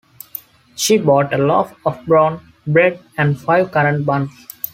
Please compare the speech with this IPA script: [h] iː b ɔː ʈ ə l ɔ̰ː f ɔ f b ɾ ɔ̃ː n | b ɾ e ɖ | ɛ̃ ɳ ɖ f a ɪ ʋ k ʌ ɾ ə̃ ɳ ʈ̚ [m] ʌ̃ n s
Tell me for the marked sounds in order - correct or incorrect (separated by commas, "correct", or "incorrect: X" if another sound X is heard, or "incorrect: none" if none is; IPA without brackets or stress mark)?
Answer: incorrect: ʃ, incorrect: b